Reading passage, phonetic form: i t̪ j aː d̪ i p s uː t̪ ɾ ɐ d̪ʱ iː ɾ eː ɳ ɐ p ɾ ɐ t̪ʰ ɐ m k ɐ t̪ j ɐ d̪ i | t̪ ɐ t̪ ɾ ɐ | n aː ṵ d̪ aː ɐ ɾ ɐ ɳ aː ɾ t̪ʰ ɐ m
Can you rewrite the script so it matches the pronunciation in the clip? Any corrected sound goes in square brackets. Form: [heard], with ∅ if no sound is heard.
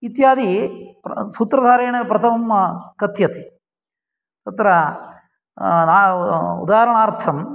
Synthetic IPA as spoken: i t̪ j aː d̪ i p s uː t̪ ɾ ɐ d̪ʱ [aː] ɾ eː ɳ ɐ p ɾ ɐ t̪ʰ ɐ m k ɐ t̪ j ɐ [t̪] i | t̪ ɐ t̪ ɾ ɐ | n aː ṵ d̪ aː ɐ ɾ ɐ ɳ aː ɾ t̪ʰ ɐ m

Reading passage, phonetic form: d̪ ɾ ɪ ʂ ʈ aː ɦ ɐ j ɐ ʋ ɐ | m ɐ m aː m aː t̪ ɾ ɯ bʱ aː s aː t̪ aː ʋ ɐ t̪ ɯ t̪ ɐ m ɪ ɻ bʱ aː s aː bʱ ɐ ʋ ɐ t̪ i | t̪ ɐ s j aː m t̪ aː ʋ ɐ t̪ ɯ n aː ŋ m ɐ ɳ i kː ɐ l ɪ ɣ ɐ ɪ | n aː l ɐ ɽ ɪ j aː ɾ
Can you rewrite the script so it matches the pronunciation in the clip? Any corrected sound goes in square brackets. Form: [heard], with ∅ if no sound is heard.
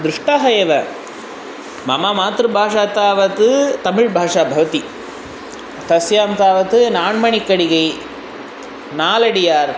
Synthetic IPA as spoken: d̪ ɾ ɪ ʂ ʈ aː ɦ ɐ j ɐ ʋ ɐ | m ɐ m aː m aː t̪ ɾ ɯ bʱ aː [ʂ] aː t̪ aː ʋ ɐ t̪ ɯ t̪ ɐ m ɪ ɻ bʱ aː [ʂ] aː bʱ ɐ ʋ ɐ t̪ i | t̪ ɐ s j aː m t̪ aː ʋ ɐ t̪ ɯ n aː [ɳ] m ɐ ɳ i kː ɐ [ɽ] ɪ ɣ ɐ ɪ | n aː l ɐ ɽ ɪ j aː ɾ

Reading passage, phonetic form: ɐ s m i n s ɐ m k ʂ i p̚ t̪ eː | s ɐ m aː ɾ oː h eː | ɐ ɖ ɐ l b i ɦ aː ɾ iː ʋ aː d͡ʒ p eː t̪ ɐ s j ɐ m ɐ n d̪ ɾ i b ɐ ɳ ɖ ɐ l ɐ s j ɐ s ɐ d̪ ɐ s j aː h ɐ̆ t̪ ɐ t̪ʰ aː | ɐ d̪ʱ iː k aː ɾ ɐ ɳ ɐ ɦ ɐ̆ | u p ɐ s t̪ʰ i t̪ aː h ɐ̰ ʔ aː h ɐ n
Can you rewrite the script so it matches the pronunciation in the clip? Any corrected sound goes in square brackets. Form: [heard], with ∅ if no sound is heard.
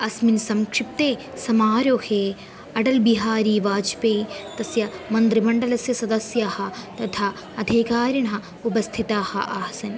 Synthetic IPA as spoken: ɐ s m i n s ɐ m k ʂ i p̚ t̪ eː | s ɐ m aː ɾ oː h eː | ɐ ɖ ɐ l b i ɦ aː ɾ iː ʋ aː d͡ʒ p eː t̪ ɐ s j ɐ m ɐ n d̪ ɾ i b ɐ ɳ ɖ ɐ l ɐ s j ɐ s ɐ d̪ ɐ s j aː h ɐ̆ t̪ ɐ t̪ʰ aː | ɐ d̪ʱ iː k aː ɾ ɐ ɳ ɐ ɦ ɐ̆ | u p ɐ s t̪ʰ i t̪ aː h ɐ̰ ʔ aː [s] ɐ n

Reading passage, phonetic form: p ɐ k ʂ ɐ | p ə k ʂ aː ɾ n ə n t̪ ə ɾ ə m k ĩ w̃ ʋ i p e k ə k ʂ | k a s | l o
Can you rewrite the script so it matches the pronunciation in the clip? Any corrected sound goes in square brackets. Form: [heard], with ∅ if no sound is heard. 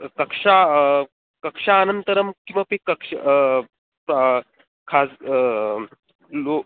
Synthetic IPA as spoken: [k] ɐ k ʂ [a] | [k] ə k ʂ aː [∅] n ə n t̪ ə ɾ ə m k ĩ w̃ ʋ [a] p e k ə k ʂ | [kʰ] a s | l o

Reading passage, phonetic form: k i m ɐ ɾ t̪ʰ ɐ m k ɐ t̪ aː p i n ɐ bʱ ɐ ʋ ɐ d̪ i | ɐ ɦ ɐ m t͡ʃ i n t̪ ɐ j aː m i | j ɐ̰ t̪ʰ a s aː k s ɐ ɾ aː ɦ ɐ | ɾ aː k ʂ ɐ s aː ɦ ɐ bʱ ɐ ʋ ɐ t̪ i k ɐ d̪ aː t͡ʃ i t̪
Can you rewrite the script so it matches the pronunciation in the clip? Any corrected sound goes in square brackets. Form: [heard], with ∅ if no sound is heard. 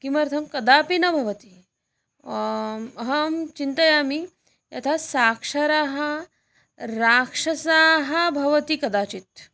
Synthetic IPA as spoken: k i m ɐ ɾ t̪ʰ ɐ m k ɐ [d̪] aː p i n ɐ bʱ ɐ ʋ ɐ [t̪] i | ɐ ɦ ɐ m t͡ʃ i n t̪ ɐ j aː m i | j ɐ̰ t̪ʰ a s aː k [ʂ] ɐ ɾ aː ɦ ɐ | ɾ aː k ʂ ɐ s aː ɦ ɐ bʱ ɐ ʋ ɐ t̪ i k ɐ d̪ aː t͡ʃ i t̪

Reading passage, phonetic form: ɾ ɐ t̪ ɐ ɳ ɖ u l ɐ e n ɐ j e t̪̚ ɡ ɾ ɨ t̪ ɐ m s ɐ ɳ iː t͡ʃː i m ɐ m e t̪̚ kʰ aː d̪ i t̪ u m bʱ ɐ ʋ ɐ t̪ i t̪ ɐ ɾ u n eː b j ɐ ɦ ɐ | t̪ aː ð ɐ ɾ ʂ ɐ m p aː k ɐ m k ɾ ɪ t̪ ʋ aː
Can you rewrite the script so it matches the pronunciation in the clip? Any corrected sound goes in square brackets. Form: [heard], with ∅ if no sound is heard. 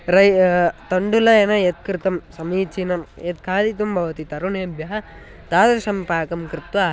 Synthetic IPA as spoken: ɾ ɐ t̪ ɐ ɳ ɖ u l ɐ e n ɐ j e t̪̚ [k] ɾ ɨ t̪ ɐ m s ɐ [m] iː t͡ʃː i [n] ɐ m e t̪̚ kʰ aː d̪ i t̪ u m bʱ ɐ ʋ ɐ t̪ i t̪ ɐ ɾ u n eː b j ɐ ɦ ɐ | t̪ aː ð ɐ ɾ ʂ ɐ m p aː k ɐ m k ɾ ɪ t̪ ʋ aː

